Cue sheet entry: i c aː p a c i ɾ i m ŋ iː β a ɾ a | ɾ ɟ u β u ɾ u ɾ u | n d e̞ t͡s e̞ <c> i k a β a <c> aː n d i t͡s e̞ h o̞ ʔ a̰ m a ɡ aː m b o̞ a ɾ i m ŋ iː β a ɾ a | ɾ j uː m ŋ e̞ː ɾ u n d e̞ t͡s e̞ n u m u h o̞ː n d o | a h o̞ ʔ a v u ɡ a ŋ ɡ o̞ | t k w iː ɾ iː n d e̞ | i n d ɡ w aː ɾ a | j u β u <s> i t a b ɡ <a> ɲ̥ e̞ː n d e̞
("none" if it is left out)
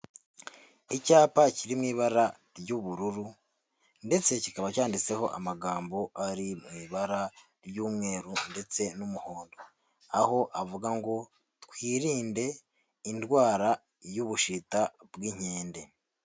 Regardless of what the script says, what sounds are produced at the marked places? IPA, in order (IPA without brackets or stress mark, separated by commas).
c, c, ʃ, i